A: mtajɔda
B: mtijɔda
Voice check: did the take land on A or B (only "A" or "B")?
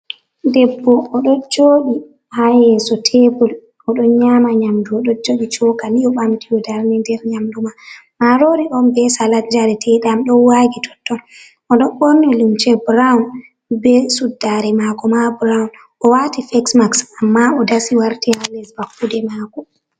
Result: B